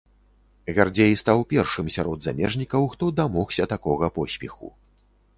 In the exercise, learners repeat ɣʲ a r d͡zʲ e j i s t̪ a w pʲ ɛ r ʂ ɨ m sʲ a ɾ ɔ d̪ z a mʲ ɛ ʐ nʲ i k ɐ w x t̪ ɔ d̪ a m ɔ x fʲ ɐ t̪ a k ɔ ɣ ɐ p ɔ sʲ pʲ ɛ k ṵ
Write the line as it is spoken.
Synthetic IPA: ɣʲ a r d͡zʲ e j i s t̪ a w pʲ ɛ r ʂ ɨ m sʲ a ɾ ɔ d̪ z a mʲ ɛ ʐ nʲ i k ɐ w x t̪ ɔ d̪ a m ɔ x sʲ ɐ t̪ a k ɔ ɣ ɐ p ɔ sʲ pʲ ɛ x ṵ